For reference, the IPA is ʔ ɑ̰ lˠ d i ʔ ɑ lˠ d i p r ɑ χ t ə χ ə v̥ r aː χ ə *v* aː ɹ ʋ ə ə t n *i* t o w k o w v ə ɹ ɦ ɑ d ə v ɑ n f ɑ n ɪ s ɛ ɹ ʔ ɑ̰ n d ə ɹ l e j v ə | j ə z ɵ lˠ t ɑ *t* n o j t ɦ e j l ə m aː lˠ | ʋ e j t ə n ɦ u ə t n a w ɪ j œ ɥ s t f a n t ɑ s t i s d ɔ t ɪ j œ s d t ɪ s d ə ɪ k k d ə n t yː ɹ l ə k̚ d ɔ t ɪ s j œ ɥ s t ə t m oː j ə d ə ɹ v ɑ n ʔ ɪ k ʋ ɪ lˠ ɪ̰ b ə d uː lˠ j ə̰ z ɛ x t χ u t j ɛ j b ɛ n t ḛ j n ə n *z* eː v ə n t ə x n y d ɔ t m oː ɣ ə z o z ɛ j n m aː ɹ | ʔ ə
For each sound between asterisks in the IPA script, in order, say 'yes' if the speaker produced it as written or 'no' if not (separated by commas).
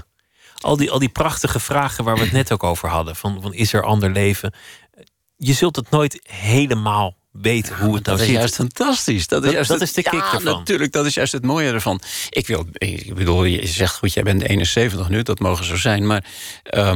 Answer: no, no, yes, no